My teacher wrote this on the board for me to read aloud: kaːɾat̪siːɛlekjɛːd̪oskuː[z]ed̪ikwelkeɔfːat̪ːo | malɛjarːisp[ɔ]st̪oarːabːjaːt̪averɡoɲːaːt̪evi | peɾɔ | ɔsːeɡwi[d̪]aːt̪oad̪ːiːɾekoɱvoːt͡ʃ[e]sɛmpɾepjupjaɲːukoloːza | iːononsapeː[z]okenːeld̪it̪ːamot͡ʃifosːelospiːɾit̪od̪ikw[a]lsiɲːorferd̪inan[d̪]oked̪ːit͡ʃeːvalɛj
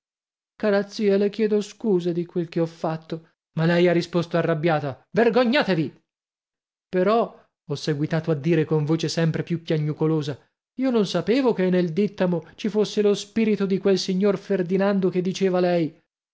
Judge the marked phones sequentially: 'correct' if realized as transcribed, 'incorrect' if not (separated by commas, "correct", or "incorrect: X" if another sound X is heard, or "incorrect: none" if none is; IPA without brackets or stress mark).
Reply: correct, incorrect: o, incorrect: t̪, correct, incorrect: v, incorrect: e, correct